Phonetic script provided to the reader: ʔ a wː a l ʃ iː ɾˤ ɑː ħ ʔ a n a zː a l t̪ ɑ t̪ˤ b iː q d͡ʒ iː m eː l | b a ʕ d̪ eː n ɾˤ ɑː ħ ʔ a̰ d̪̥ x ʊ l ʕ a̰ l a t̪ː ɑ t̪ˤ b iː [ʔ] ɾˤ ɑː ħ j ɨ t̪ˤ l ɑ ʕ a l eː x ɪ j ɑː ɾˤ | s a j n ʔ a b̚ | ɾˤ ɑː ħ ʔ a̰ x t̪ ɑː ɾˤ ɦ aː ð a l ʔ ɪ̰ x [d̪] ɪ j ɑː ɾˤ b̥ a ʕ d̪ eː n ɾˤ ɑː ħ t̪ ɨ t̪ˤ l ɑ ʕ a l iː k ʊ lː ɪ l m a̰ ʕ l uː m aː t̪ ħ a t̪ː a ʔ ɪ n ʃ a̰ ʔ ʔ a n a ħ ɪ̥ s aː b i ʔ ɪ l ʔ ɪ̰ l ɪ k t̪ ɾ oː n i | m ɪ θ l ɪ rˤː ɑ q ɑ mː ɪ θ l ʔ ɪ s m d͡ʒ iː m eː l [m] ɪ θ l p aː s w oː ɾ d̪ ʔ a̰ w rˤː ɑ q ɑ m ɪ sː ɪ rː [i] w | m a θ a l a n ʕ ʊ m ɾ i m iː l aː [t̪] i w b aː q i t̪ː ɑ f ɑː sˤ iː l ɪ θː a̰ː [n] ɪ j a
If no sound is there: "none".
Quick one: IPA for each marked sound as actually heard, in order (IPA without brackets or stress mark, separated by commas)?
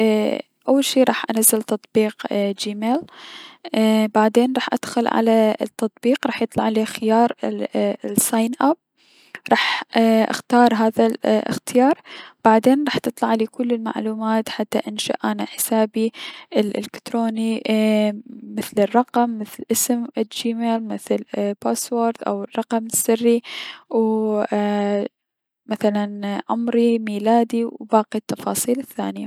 q, t̪, m, i, d̪, n